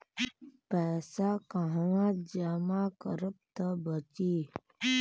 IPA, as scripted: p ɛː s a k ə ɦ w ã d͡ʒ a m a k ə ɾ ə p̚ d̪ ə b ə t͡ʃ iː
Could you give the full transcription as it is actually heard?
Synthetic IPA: p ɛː s a k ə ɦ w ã d͡ʒ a m a k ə ɾ ə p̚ t̪ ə b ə t͡ʃ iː